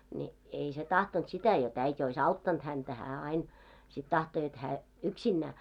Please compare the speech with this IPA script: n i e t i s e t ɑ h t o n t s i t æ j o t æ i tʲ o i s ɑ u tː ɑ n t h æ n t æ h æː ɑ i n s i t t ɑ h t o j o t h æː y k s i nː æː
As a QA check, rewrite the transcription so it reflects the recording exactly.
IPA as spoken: n i e i s e t ɑ h t o n t s i t æ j o t æ i tʲ o i s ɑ u tː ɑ n t h æ n t æ h æː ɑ i n s i t t ɑ h t o j o t h æː y k s i nː æː